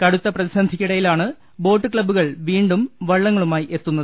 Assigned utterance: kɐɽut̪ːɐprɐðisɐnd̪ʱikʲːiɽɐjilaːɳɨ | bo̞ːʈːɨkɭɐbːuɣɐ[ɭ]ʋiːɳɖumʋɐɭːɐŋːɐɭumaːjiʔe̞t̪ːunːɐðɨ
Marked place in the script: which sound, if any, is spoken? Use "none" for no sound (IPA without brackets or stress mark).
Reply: ɭ